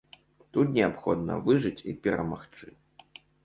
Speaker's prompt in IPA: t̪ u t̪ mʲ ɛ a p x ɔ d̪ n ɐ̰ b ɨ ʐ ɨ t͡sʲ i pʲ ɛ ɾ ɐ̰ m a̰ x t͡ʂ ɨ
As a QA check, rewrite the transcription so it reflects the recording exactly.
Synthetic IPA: t̪ u t̪ nʲ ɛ a p x ɔ d̪ n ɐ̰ v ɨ ʐ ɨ t͡sʲ i pʲ ɛ ɾ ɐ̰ m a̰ x t͡ʂ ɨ